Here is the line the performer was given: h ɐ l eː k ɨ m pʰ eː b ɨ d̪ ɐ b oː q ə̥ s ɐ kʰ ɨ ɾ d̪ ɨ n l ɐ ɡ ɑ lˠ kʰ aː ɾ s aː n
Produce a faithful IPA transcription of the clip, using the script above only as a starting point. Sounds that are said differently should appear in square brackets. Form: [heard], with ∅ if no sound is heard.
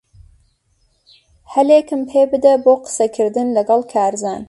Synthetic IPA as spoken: h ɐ l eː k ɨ m pʰ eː b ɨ d̪ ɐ b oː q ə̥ s ɐ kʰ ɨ ɾ d̪ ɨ n l ɐ ɡ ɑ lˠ kʰ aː ɾ [z] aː n